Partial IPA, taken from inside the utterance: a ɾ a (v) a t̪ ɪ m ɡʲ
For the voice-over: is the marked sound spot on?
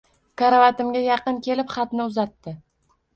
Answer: yes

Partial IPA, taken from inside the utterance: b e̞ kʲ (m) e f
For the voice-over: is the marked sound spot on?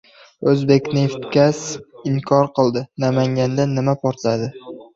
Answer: no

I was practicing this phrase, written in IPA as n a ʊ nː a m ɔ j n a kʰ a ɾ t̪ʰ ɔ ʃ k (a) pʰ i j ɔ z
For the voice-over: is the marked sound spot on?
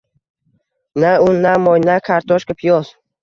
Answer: yes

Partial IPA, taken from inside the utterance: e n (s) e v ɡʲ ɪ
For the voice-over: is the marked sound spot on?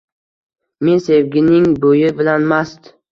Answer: yes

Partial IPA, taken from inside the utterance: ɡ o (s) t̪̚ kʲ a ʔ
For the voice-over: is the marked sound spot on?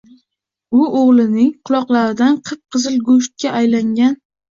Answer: no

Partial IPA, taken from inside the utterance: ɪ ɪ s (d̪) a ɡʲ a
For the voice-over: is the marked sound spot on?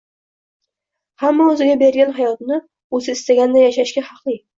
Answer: no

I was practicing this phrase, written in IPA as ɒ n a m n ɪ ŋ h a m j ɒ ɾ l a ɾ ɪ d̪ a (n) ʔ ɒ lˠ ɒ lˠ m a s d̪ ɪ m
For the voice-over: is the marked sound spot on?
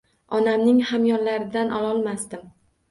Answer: yes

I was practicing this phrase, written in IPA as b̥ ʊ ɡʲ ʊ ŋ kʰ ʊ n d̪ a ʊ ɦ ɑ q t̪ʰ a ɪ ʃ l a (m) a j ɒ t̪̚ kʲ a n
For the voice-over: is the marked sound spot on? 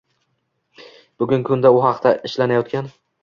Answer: no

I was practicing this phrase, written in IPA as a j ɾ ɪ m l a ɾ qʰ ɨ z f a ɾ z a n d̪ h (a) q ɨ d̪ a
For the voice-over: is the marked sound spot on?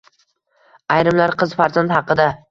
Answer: no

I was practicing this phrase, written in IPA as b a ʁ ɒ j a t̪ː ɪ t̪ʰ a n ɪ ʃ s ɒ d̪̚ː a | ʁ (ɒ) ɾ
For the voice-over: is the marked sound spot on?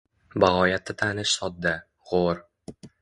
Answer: no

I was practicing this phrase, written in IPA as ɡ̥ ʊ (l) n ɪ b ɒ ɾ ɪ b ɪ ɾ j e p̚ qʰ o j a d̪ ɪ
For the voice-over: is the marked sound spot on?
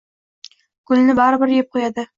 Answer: yes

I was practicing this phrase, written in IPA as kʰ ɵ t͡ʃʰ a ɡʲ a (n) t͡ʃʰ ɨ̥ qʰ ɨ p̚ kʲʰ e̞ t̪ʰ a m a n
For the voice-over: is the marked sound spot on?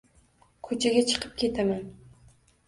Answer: no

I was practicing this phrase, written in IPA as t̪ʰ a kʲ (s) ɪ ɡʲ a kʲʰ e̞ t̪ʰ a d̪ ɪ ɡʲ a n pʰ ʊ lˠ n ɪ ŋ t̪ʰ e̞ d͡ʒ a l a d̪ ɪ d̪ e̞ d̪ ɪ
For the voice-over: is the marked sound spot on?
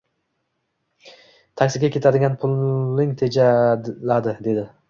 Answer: yes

